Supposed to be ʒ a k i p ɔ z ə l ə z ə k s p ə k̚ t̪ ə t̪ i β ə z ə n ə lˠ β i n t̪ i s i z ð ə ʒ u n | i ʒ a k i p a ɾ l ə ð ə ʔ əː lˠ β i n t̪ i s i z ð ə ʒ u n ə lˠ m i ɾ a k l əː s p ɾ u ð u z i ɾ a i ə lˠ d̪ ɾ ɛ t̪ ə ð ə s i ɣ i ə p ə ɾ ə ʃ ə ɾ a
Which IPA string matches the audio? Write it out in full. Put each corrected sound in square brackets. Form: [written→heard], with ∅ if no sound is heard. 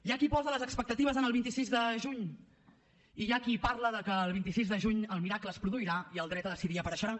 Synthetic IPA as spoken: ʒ a k i p ɔ z ə l ə z ə k s p ə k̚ t̪ ə t̪ i β ə z ə n ə lˠ β i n t̪ i s i z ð ə ʒ u [n→ɲ] | i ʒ a k i p a ɾ l ə ð ə [ʔ→k] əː lˠ β i n t̪ i s i z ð ə ʒ u [n→ɲ] ə lˠ m i ɾ a k l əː s p ɾ u ð u [z→∅] i ɾ a i ə lˠ d̪ ɾ ɛ t̪ ə ð ə s i [ɣ→ð] i ə p ə ɾ ə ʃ ə ɾ a